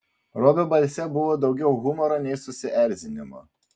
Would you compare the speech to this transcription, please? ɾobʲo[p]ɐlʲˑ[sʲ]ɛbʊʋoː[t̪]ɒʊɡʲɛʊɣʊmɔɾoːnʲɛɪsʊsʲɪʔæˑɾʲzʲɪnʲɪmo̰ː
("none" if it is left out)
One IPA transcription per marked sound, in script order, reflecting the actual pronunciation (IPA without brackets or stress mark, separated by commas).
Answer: b, sʲ, d̪